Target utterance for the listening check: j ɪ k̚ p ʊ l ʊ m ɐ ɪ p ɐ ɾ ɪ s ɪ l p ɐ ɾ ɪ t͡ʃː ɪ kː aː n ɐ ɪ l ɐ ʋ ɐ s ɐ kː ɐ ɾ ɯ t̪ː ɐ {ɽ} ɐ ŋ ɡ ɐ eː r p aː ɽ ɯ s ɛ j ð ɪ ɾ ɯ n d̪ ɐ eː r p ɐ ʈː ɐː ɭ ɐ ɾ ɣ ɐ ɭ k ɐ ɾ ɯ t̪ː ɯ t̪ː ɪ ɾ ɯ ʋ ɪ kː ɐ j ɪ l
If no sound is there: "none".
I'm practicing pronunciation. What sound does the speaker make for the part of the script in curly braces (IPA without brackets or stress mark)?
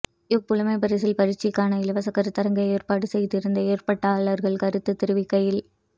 ɾ